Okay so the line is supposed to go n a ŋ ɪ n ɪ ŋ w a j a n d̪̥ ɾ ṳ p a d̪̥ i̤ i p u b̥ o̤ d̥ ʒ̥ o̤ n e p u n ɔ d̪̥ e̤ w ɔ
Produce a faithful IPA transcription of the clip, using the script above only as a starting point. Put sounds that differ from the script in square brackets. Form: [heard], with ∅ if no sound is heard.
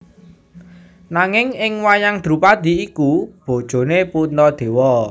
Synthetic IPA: n a ŋ ɪ [ŋ] ɪ ŋ w a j a [ŋ] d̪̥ ɾ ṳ p a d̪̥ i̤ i [k] u b̥ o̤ d̥ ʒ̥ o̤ n e p u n ɔ d̪̥ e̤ w ɔ